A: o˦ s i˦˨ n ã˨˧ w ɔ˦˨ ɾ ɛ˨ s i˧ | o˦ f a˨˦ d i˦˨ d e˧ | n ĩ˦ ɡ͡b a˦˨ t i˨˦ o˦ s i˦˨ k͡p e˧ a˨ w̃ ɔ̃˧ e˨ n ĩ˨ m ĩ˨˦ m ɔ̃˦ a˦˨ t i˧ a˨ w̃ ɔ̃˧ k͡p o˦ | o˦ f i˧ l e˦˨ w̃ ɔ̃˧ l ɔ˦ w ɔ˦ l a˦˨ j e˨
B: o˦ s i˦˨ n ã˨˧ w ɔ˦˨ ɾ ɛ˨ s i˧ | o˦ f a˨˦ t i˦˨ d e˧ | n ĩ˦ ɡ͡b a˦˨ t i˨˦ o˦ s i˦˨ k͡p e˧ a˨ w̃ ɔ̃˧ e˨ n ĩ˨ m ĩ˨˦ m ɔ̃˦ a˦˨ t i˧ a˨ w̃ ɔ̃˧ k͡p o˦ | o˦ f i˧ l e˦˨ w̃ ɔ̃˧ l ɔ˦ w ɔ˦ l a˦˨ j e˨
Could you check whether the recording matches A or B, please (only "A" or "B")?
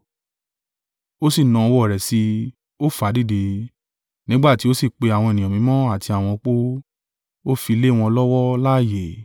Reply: A